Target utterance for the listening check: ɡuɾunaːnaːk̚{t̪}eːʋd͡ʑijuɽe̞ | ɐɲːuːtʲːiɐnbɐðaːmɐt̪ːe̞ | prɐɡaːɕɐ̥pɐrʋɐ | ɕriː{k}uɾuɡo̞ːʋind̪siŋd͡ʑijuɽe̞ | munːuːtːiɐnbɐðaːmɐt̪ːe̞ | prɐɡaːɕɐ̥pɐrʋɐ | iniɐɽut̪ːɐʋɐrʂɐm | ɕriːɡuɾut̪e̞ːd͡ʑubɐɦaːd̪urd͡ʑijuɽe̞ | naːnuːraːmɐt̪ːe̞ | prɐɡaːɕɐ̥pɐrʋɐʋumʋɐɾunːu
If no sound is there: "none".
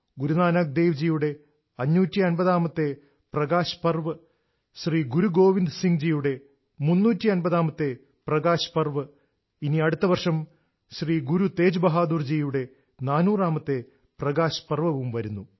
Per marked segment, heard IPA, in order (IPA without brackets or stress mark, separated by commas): d̪, ɡ